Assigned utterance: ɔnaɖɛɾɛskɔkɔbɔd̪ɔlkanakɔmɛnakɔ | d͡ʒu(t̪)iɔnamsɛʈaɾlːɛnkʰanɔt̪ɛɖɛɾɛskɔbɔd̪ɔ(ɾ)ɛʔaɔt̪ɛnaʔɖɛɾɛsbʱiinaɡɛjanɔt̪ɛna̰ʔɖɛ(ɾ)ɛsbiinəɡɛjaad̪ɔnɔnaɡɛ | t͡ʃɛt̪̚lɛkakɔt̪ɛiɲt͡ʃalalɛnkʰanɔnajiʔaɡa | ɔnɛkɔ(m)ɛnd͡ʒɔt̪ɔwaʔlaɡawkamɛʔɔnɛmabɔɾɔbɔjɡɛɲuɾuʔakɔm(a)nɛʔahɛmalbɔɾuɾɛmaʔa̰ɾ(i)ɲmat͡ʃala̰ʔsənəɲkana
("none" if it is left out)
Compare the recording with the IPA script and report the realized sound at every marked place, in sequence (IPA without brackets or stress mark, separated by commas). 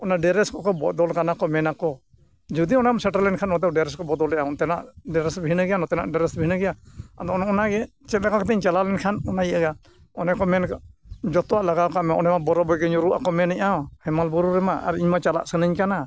d̪, l, ɾ, m, ɛ, i